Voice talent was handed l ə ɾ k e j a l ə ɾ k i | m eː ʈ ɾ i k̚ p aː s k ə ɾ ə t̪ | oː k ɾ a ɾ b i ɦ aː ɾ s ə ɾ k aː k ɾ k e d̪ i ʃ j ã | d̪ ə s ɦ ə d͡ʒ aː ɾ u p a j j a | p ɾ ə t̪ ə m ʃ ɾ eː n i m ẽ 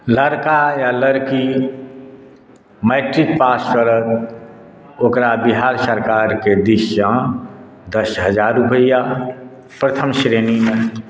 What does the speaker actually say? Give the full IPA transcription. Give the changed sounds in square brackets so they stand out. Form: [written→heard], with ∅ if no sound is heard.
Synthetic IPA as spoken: l ə ɾ k [e→a] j a l ə ɾ k i | m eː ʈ ɾ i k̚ p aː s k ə ɾ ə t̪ | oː k ɾ a [ɾ→∅] b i ɦ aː ɾ s ə ɾ k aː [k→∅] ɾ k e d̪ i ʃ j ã | d̪ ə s ɦ ə d͡ʒ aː ɾ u p [a→ə] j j a | p ɾ ə [t̪→t̪ʰ] ə m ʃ ɾ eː n i m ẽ